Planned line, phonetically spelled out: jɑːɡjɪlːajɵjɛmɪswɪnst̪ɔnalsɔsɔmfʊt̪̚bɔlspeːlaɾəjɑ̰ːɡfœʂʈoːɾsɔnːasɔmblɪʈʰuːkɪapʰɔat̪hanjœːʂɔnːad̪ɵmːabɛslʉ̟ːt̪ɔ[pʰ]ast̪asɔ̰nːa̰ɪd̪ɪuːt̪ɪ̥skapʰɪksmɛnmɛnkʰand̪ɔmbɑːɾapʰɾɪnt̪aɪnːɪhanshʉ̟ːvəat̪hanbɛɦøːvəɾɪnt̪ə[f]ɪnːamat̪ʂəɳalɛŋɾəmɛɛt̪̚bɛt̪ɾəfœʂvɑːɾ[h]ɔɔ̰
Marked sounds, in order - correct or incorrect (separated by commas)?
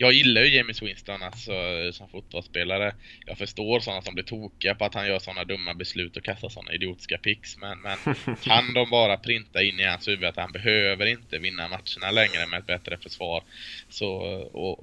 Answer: incorrect, incorrect, incorrect